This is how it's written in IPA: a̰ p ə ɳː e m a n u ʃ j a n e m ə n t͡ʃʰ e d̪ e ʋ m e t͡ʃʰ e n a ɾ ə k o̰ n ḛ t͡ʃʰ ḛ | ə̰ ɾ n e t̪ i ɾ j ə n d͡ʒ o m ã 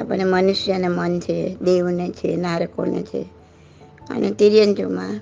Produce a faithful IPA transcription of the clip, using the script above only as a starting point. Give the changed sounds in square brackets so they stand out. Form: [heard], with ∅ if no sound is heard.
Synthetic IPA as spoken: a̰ p ə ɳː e m [ə] n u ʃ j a n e m ə n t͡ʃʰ e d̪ e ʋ [n] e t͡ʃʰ e n a ɾ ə k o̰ n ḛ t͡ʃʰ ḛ | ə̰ [∅] n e t̪ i ɾ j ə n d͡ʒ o m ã